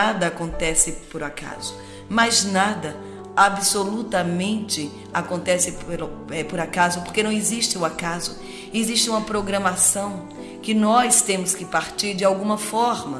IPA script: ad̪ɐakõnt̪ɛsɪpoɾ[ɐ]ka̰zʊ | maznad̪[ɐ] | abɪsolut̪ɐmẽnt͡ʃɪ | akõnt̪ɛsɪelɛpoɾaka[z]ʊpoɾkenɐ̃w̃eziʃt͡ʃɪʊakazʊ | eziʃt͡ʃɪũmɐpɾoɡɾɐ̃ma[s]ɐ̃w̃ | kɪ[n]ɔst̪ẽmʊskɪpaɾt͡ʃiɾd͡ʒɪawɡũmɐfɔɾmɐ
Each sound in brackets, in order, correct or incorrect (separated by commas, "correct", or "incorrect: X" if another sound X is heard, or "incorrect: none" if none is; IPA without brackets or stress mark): incorrect: a, correct, correct, correct, correct